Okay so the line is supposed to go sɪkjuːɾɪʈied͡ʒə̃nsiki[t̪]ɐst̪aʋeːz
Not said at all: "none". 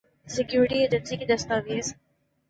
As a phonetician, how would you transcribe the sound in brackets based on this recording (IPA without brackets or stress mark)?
d̪